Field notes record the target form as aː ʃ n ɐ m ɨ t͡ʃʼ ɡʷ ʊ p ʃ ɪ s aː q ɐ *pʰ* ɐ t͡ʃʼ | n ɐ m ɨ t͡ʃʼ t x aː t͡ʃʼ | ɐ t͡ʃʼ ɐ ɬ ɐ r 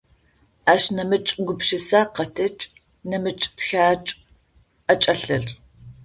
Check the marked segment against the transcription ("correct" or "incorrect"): incorrect